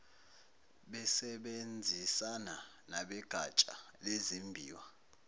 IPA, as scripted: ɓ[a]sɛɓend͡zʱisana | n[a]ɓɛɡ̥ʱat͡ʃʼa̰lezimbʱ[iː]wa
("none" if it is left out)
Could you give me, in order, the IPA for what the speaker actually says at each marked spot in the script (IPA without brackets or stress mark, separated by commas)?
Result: ɛ, a, iː